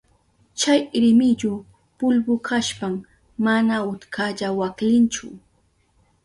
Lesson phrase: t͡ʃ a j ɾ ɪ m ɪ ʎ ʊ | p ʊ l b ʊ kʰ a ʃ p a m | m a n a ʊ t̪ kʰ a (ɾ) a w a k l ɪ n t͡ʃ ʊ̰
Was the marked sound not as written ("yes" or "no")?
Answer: yes